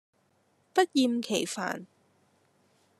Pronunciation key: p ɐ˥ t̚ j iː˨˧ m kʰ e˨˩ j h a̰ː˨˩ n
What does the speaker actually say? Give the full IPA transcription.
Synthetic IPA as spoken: p ɐ˥ t̚ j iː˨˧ m kʰ e˨˩ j f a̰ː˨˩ n